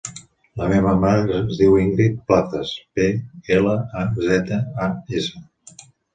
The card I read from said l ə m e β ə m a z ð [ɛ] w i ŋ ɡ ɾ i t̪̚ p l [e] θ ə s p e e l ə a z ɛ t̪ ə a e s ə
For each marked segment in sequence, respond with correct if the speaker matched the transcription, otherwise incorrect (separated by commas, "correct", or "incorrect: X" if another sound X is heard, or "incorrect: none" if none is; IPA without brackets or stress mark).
incorrect: i, incorrect: a